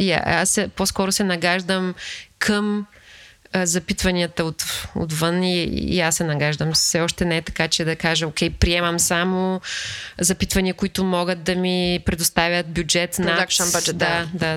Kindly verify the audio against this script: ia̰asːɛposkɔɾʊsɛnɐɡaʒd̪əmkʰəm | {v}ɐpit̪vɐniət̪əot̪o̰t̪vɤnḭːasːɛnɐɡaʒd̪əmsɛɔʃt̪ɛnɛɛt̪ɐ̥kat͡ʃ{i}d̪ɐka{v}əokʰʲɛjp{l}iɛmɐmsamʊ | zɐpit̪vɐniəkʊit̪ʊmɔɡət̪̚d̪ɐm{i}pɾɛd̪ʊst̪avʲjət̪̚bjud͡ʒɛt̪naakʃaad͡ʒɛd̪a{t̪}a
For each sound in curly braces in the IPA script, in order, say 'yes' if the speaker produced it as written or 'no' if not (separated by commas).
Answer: no, no, no, no, yes, no